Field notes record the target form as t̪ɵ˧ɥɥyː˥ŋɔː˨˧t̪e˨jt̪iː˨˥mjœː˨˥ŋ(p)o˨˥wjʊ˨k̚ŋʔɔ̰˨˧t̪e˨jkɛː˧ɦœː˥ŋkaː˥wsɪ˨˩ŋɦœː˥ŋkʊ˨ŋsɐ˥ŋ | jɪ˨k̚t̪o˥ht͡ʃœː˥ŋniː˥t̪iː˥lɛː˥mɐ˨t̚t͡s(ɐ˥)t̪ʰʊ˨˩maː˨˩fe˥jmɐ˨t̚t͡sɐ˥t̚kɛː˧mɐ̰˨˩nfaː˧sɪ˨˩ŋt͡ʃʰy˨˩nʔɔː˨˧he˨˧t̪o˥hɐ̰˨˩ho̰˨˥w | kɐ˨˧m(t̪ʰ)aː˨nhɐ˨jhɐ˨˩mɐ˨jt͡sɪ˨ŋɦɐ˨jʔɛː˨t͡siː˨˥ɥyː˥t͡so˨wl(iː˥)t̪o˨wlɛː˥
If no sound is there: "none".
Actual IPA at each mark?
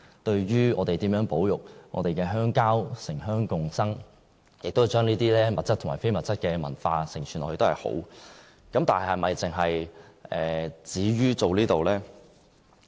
p, ɐ˥, t̪, iː˥

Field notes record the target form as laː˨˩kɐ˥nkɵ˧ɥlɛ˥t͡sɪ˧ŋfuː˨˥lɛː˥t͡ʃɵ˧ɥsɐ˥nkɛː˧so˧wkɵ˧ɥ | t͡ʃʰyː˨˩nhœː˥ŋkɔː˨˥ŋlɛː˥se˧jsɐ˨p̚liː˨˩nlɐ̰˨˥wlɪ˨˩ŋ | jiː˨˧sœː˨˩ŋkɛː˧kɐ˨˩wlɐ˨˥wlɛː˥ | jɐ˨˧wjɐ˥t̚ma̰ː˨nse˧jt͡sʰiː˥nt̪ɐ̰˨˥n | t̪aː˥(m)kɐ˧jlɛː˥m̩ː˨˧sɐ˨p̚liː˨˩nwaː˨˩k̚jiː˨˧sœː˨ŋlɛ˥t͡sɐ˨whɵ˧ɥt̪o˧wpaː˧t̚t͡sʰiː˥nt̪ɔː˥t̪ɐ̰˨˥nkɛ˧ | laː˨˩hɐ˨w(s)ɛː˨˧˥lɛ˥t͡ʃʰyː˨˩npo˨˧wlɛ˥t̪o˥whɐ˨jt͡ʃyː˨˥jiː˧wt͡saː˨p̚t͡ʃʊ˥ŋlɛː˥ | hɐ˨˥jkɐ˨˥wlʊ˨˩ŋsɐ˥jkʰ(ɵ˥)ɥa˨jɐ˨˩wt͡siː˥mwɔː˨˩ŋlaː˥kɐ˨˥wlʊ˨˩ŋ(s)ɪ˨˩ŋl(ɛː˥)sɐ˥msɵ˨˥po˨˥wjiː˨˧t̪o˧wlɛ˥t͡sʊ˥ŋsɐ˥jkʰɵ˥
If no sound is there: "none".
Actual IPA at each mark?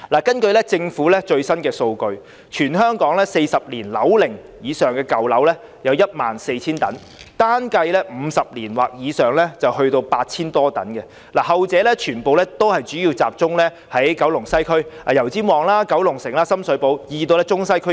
n, t͡s, ɵ˥, s, aː˥

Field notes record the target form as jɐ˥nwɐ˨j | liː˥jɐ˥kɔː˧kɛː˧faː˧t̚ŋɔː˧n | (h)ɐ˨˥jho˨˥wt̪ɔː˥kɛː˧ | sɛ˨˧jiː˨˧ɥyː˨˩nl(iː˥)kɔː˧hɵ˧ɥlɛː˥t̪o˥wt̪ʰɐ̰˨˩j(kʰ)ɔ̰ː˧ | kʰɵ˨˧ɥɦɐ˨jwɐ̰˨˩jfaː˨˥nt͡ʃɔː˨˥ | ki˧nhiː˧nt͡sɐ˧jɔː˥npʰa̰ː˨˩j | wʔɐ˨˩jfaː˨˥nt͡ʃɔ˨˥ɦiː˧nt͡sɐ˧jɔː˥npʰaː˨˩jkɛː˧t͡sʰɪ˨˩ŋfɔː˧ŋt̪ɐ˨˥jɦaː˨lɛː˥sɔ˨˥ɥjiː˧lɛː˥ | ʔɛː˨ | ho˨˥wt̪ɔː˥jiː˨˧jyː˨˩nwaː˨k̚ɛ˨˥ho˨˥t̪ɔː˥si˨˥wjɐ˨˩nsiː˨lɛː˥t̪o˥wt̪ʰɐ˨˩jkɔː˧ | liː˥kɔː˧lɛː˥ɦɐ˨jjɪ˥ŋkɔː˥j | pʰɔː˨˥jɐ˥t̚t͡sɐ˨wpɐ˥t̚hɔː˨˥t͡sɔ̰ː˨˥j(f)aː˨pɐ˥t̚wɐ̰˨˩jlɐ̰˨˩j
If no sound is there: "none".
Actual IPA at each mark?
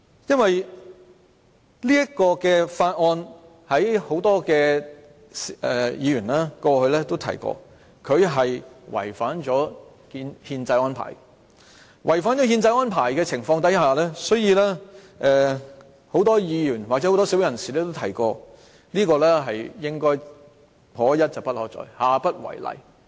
h, aː˥, k, h

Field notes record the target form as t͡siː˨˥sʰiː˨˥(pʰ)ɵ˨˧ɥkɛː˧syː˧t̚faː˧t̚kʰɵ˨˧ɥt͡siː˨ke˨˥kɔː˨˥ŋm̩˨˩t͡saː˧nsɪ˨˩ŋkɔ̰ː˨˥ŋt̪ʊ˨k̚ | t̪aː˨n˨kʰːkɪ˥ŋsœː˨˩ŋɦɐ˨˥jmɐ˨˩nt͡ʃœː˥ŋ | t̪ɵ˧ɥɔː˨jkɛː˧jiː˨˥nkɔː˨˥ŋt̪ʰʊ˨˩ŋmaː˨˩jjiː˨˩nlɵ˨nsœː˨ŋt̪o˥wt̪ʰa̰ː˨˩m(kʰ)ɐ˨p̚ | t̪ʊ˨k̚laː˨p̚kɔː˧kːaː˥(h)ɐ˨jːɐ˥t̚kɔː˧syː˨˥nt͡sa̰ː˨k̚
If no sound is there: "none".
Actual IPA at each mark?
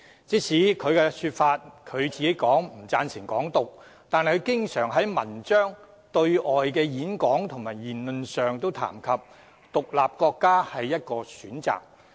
kʰ, kʰ, h

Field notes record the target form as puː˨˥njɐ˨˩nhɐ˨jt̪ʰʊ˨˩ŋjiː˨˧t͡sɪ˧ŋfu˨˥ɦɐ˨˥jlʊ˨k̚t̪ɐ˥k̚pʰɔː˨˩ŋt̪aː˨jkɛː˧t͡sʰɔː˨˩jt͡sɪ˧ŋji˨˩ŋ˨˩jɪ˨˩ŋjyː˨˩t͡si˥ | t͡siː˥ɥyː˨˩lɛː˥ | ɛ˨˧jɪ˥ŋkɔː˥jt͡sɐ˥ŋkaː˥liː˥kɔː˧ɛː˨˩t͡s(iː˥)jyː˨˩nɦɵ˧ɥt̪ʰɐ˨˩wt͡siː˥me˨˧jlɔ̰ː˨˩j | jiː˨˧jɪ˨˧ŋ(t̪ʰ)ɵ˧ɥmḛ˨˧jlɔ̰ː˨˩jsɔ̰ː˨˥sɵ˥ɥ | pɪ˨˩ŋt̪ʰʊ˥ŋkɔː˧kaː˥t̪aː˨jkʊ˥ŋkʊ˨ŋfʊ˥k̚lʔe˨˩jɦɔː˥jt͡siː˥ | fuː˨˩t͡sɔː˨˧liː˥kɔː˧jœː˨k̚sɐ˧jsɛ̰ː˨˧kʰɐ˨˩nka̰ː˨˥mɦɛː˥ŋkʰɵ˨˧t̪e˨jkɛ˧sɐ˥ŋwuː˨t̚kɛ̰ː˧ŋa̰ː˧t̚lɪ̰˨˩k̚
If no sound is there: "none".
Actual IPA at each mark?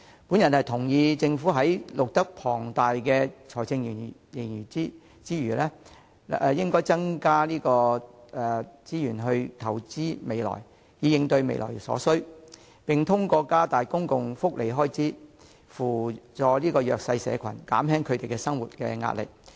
iː˥, t̪

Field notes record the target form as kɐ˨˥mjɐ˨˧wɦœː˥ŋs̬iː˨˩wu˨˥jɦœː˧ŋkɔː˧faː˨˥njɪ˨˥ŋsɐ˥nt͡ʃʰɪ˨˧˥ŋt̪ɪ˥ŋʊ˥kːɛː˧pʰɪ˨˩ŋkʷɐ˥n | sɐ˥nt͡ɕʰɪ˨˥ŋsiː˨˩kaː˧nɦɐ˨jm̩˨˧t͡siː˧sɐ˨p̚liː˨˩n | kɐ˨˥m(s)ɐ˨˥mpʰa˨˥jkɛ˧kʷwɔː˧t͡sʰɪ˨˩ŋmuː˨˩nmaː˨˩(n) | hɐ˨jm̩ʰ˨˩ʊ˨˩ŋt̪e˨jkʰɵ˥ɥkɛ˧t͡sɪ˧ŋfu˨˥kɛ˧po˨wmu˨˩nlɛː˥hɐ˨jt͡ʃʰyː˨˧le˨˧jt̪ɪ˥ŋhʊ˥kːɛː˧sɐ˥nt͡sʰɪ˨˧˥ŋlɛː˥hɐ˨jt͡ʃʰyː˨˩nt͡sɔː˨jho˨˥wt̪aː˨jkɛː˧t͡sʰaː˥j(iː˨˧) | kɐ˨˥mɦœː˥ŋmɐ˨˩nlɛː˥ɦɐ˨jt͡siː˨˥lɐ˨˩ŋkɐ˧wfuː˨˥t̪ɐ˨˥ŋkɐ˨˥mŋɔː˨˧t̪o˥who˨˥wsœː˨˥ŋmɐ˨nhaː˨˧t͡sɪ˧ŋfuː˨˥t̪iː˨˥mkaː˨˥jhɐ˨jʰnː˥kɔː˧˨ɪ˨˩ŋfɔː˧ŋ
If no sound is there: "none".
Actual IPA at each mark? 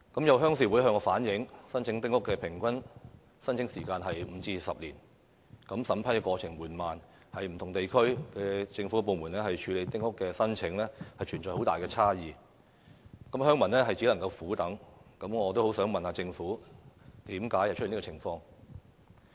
s, n, iː˨˧

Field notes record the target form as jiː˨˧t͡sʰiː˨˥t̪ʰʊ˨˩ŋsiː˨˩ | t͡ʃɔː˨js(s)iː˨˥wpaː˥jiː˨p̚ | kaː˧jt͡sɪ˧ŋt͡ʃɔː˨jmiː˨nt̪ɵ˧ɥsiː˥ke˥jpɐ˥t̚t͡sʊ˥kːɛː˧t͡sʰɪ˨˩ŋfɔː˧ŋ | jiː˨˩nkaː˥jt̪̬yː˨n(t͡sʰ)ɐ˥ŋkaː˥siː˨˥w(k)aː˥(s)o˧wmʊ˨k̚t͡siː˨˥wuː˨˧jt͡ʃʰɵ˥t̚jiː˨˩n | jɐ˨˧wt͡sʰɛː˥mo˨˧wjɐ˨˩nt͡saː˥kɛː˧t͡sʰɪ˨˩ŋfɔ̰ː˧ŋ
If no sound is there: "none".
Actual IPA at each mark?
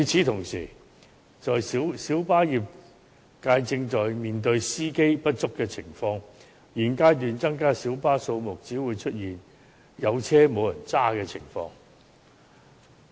s, t͡s, p, s

